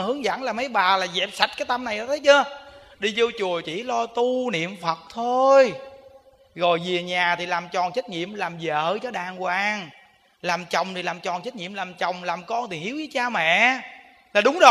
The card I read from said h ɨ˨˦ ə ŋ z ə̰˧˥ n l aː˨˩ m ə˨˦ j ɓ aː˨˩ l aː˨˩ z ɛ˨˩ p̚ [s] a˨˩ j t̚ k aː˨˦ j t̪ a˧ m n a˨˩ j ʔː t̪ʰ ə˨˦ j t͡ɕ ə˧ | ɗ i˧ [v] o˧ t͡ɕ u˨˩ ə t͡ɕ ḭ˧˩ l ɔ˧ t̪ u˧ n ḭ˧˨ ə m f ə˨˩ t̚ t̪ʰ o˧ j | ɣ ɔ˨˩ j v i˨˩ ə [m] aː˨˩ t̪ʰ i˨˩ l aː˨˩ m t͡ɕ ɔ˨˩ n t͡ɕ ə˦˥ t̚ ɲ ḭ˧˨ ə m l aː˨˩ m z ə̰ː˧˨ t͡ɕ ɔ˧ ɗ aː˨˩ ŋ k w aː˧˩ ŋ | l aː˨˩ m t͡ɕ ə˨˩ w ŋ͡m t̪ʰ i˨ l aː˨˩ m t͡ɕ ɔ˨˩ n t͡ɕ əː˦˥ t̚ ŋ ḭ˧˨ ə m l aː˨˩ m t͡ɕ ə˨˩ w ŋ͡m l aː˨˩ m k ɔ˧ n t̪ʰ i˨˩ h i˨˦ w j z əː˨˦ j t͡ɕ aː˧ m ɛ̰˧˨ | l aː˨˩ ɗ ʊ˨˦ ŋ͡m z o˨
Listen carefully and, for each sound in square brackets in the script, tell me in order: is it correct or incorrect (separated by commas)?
correct, incorrect, incorrect